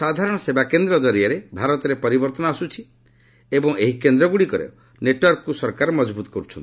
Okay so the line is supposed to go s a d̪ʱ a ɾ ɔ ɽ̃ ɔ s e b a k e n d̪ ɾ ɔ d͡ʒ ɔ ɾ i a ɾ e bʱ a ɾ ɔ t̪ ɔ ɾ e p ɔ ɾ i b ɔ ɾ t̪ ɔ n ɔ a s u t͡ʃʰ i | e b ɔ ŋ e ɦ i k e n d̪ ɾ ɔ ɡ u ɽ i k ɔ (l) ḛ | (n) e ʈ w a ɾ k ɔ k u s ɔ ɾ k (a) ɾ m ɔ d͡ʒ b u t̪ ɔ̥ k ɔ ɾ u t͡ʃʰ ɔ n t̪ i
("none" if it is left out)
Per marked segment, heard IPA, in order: ɾ, n, a

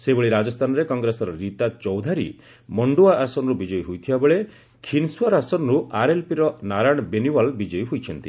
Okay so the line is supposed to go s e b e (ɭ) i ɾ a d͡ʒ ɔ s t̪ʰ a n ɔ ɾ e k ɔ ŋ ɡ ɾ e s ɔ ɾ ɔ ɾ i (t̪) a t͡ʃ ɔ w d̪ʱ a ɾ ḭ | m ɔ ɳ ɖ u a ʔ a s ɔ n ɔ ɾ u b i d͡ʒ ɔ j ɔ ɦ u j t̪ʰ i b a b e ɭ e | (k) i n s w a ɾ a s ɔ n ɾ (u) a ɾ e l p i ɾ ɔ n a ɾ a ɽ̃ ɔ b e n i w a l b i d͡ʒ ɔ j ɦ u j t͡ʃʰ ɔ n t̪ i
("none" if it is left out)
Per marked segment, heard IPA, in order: ɭ, t̪, kʰ, u

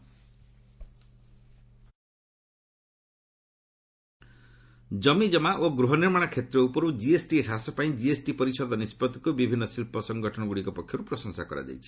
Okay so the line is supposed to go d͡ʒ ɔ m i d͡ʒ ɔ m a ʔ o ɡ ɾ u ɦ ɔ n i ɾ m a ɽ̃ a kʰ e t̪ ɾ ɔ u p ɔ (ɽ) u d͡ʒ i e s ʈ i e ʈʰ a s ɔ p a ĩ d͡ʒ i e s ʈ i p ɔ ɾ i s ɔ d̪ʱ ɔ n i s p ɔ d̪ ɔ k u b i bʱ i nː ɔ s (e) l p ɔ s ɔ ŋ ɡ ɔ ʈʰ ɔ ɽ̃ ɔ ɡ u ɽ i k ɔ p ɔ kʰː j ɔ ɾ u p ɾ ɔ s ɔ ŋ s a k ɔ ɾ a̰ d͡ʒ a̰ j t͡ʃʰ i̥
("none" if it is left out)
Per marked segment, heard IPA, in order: ɾ, i

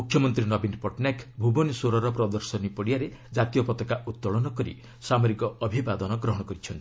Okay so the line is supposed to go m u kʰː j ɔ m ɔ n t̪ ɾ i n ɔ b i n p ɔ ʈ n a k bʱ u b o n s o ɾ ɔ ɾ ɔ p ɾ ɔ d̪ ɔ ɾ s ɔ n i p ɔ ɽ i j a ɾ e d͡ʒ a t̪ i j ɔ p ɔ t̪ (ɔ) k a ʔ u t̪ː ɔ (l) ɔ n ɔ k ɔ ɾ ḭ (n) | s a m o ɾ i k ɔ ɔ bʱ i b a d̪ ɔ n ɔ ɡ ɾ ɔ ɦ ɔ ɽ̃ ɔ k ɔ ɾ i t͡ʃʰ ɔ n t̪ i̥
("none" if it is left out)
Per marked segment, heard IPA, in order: ɔ, ɭ, none

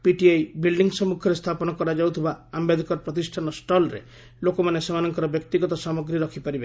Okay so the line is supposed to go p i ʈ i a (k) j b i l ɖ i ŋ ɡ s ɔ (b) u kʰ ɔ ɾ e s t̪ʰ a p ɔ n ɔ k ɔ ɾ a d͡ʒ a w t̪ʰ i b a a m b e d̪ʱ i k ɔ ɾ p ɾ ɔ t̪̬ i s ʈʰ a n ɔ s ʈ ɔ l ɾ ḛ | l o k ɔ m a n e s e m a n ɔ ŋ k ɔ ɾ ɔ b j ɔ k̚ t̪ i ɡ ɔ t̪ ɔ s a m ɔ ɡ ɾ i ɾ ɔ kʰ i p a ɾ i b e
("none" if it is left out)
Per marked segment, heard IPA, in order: none, m

